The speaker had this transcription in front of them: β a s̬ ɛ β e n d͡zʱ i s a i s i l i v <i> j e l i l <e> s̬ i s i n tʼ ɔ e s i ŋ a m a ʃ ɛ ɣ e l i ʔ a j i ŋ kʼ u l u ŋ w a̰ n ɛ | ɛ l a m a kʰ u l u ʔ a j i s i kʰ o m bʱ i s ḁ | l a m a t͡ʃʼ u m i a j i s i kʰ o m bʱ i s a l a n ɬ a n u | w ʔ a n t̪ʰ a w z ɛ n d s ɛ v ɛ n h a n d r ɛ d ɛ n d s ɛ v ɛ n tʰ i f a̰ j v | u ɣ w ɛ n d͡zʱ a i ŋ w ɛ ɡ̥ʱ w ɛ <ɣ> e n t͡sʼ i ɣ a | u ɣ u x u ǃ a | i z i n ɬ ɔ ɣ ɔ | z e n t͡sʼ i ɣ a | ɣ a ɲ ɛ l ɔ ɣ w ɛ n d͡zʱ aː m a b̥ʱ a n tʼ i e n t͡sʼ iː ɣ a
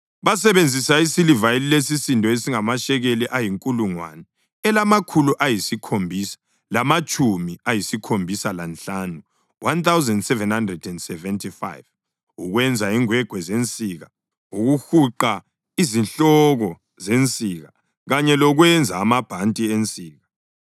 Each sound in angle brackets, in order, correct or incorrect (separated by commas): incorrect, correct, incorrect